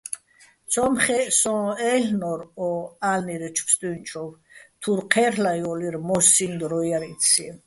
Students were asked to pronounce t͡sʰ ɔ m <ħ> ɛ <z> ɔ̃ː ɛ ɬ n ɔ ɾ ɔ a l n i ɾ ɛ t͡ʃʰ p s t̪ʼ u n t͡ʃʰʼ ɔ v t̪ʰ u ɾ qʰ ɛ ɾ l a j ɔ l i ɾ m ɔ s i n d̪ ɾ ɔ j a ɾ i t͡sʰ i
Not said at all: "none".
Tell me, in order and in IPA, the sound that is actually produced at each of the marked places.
χ, s

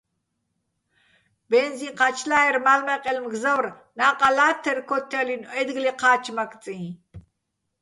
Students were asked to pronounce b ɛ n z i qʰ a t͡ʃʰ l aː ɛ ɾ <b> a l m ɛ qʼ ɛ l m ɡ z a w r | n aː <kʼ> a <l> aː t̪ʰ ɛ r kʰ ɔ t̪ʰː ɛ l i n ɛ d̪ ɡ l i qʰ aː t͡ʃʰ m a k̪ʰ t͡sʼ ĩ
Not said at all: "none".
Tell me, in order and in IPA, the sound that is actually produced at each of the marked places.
m, qʼ, l

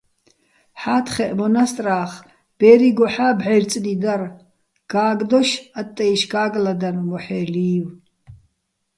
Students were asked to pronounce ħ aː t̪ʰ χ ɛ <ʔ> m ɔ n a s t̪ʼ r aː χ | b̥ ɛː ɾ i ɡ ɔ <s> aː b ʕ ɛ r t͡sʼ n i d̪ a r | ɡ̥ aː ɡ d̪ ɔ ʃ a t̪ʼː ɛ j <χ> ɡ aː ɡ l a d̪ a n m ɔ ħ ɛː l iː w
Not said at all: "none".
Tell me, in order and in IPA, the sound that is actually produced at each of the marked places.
ʔ, ħ, ʃ

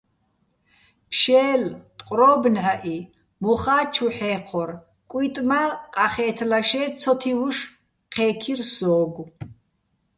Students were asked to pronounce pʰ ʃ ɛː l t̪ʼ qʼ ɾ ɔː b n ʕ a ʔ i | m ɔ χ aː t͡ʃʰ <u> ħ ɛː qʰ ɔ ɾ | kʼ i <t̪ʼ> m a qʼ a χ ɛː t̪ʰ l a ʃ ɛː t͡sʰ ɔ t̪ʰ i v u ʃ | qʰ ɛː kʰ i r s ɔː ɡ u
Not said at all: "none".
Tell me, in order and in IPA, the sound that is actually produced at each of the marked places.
u, t̪ʼ

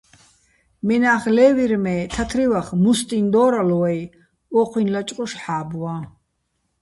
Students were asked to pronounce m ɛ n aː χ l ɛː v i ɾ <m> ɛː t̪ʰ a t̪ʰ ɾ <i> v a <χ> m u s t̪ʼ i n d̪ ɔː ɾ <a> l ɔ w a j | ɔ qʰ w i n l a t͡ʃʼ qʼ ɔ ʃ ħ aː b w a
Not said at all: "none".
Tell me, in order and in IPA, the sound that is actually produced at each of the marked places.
m, i, χ, a

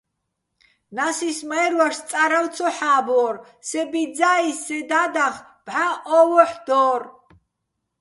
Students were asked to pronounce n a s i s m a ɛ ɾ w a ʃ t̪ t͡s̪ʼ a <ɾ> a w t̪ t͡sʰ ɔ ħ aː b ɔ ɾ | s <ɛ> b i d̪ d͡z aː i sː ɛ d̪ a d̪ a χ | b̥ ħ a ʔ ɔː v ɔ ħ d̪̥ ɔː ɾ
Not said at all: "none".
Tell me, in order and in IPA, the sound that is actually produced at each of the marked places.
ɾ, ɛ

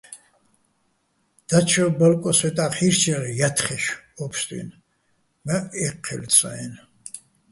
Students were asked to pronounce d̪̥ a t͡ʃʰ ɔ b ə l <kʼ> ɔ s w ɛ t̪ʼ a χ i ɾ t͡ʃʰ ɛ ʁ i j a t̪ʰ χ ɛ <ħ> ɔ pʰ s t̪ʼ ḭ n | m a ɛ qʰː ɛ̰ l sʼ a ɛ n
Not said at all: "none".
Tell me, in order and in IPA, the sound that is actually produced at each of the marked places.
kʼ, ʃ

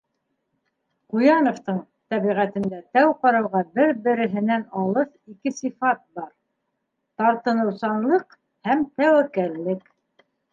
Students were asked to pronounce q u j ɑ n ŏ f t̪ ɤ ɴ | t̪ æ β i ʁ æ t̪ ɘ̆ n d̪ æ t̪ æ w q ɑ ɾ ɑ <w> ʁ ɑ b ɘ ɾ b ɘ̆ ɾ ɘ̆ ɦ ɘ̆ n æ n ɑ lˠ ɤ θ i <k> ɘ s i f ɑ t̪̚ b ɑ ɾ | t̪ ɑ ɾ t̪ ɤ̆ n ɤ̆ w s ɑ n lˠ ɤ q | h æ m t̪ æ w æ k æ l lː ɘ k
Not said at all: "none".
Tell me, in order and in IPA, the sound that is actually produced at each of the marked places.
w, k

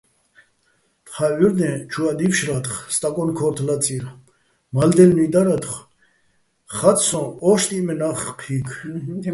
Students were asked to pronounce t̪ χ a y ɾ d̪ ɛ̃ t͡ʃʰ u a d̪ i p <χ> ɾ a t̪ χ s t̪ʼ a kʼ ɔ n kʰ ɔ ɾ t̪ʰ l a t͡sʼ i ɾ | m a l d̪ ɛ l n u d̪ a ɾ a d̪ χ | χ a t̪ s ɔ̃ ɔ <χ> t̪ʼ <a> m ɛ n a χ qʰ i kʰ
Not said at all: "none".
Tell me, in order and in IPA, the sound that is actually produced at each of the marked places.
ʃ, ʃ, i

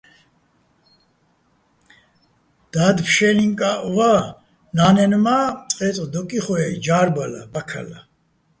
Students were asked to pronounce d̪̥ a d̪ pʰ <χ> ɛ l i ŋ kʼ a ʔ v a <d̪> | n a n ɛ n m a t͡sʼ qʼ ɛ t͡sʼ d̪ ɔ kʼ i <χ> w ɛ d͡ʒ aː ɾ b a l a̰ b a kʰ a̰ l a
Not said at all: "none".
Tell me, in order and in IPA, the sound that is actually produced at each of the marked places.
ʃ, none, χ

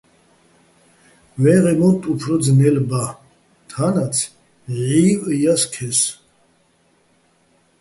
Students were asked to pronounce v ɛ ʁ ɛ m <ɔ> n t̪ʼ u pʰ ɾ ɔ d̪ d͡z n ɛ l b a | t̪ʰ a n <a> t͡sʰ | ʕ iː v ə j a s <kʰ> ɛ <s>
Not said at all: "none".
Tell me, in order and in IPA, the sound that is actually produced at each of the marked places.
ɔ, a, kʰ, s

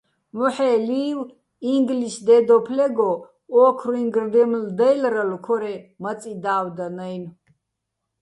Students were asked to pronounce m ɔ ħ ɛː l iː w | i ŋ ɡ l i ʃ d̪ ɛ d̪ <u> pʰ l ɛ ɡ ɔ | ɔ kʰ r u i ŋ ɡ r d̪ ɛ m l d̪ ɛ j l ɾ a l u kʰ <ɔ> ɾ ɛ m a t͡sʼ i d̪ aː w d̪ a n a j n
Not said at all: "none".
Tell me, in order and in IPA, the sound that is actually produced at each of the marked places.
ɔ, ɔ

